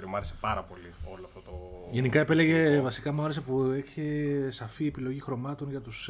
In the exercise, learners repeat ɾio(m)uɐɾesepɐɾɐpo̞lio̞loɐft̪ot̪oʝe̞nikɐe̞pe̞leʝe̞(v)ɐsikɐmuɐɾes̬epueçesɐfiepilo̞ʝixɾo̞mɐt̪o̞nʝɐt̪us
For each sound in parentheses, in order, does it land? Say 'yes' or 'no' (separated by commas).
yes, yes